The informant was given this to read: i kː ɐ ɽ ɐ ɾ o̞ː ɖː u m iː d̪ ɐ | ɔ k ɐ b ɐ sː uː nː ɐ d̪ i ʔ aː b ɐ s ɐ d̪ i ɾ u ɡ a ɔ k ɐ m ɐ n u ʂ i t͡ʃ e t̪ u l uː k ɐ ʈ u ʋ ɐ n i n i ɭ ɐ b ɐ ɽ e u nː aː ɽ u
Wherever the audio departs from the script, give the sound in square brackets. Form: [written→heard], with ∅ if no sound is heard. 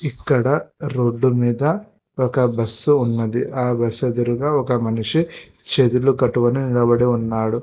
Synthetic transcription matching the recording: i kː ɐ ɽ ɐ ɾ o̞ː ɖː u m iː d̪ ɐ | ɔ k ɐ b ɐ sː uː nː ɐ d̪ i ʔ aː b ɐ s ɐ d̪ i ɾ u ɡ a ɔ k ɐ m ɐ n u ʂ i t͡ʃ e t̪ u l [uː→u] k ɐ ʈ u ʋ ɐ n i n i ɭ ɐ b ɐ ɽ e u nː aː ɽ u